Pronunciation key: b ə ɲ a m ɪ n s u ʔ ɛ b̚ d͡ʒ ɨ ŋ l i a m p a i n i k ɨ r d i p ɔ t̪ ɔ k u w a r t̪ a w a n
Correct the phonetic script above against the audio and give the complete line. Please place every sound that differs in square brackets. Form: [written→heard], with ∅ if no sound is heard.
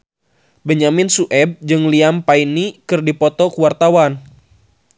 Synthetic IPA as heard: b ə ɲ a m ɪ n s u ʔ ɛ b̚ d͡ʒ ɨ ŋ l i a m p a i n i k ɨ r d i p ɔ t̪ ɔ k u w a r t̪ a w a n